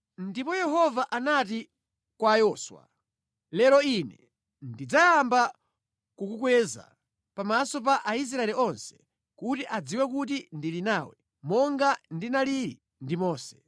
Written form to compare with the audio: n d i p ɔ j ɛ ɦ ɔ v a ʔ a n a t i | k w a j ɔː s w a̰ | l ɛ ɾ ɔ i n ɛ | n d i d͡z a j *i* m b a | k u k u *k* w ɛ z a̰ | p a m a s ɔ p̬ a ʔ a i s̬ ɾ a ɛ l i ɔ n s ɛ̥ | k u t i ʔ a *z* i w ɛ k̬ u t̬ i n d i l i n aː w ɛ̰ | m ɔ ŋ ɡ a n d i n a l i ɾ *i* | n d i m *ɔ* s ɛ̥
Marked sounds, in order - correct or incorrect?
incorrect: a, correct, incorrect: d͡z, correct, incorrect: ɔː

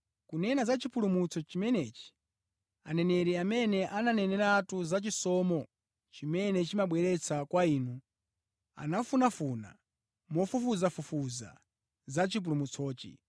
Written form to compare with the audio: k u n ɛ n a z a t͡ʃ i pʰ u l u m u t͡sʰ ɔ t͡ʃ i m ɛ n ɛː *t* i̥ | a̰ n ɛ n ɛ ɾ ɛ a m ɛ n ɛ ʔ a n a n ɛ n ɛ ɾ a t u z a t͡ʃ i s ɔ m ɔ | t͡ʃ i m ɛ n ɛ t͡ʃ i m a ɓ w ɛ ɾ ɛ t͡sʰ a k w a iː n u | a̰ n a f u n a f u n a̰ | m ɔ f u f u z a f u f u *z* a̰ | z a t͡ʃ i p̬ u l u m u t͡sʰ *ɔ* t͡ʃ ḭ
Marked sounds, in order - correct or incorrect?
incorrect: t͡ʃ, correct, incorrect: ɔː

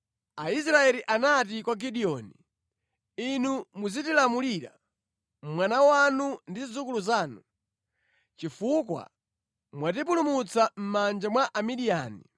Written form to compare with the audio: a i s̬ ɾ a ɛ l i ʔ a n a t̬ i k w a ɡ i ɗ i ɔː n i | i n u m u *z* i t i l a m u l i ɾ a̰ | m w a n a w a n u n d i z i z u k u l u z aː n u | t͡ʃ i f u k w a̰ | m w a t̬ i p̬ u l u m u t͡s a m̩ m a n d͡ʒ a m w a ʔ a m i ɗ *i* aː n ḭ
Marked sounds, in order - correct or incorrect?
correct, correct

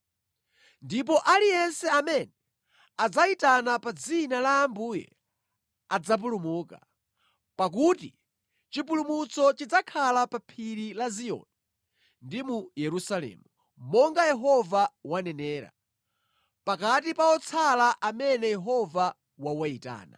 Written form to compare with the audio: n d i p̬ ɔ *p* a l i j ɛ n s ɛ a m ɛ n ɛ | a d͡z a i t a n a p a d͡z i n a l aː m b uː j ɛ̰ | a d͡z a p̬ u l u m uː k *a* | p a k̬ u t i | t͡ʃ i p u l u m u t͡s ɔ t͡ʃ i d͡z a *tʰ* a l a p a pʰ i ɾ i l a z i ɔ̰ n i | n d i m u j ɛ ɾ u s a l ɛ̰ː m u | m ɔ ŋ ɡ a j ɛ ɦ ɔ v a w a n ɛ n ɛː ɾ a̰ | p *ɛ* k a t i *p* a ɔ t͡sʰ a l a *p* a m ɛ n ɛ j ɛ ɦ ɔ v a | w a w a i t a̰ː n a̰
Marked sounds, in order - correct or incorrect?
incorrect: ʔ, correct, incorrect: kʰ, incorrect: a, correct, incorrect: ʔ

